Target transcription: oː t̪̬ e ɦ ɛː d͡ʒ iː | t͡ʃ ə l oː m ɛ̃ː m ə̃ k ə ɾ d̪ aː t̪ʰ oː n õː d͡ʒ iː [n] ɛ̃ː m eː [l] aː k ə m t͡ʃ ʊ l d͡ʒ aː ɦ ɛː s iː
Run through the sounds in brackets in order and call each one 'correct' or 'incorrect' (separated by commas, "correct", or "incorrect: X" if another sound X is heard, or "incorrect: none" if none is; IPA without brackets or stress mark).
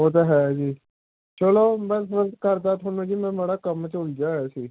incorrect: m, incorrect: ɽ